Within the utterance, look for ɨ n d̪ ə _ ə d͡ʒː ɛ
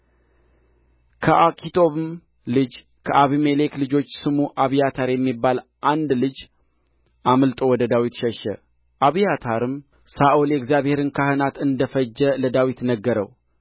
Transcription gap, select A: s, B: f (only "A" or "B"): B